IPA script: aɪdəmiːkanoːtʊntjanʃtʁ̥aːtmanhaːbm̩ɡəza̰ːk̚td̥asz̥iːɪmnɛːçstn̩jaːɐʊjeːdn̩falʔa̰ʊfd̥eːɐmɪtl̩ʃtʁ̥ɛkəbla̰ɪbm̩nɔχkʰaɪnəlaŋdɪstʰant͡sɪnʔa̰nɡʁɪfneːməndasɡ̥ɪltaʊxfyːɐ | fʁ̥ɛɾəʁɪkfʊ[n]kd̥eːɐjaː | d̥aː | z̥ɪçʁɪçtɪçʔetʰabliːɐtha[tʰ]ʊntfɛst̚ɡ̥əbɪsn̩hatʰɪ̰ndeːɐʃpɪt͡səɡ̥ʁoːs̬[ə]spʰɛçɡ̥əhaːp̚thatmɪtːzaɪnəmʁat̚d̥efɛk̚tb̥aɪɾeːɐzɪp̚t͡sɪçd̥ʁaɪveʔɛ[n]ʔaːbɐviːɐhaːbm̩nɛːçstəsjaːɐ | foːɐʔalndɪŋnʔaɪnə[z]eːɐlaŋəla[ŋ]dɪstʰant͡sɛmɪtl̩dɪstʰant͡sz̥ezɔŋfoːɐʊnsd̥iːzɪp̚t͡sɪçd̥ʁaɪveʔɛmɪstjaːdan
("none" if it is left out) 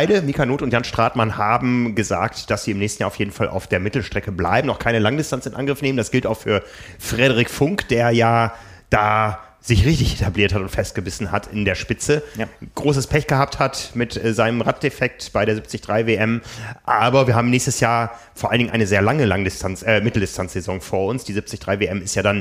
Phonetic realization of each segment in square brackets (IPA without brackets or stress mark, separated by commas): ŋ, t, ə, m, z, ŋ